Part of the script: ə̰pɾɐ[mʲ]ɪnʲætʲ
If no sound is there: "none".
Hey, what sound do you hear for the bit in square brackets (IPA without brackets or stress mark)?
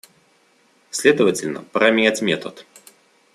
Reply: mʲ